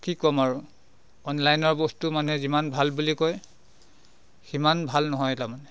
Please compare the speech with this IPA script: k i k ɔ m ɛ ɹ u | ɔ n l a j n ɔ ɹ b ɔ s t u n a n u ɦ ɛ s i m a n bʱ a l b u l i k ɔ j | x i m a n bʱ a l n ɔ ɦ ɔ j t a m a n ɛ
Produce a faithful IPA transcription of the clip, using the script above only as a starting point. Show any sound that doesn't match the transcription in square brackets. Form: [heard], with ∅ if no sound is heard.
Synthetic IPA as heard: k i k ɔ m [a] ɹ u | ɔ n l a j n ɔ ɹ b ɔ s t u [m] a n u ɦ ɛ [z] i m a n bʱ a l b u l i k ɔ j | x i m a n bʱ a l n ɔ ɦ ɔ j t a m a n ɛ